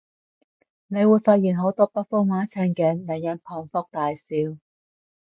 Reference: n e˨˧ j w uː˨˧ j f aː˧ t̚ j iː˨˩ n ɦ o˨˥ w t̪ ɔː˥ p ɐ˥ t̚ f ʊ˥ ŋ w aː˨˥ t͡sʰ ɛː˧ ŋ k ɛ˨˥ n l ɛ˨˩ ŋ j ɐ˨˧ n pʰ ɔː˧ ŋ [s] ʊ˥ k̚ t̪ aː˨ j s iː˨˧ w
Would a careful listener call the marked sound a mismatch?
yes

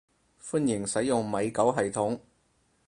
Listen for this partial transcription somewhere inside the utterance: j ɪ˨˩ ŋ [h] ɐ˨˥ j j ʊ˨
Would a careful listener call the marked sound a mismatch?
yes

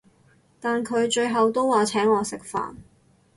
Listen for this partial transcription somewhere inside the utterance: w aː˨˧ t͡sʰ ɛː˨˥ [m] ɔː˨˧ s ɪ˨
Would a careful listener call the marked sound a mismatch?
yes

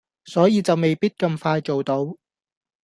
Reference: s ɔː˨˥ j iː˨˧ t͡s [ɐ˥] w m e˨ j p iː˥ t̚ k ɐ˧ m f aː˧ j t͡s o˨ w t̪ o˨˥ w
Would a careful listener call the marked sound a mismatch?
yes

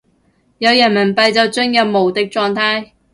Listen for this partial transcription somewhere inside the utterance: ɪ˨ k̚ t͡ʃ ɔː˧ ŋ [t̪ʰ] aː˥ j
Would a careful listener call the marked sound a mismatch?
no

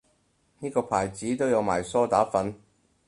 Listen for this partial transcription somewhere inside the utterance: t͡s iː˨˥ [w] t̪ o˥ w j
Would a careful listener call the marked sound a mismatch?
yes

